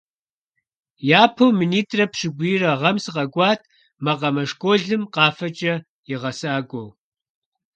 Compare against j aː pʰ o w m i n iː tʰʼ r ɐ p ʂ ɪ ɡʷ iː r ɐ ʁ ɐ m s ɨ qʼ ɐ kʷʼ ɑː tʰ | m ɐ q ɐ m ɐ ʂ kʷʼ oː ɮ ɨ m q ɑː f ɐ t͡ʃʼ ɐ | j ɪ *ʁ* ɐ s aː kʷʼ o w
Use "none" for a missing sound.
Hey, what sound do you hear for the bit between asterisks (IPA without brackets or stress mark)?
ʁ